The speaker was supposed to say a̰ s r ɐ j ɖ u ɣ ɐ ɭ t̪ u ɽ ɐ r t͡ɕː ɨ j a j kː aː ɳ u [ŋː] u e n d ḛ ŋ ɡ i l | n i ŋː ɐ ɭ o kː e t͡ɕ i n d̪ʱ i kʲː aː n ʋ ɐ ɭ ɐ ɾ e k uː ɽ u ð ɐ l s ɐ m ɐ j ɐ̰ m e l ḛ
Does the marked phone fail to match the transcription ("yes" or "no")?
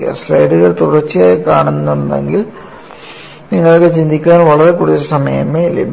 yes